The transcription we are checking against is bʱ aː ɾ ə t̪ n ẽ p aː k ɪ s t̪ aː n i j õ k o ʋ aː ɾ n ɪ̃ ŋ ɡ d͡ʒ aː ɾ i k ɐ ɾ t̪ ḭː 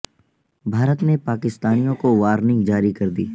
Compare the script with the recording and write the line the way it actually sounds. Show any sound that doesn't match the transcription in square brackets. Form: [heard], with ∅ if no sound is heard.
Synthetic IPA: bʱ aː ɾ ə t̪ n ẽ p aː k ɪ s t̪ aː n i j õ k o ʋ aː ɾ n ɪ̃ ŋ ɡ d͡ʒ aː ɾ i k ɐ ɾ [d̪] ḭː